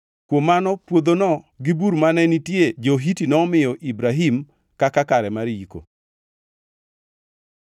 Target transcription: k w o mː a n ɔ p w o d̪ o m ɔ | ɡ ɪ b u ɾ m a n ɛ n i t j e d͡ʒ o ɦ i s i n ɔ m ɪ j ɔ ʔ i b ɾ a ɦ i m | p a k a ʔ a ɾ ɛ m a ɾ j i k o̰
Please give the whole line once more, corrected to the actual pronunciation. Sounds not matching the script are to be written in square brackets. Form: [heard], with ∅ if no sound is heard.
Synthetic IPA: k w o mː a n ɔ p w o d̪ o [n] ɔ | ɡ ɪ b u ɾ m a n ɛ n i t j e d͡ʒ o ɦ i [t] i n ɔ m ɪ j ɔ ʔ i b ɾ a ɦ i m | [k] a k a [k] a ɾ ɛ m a ɾ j i k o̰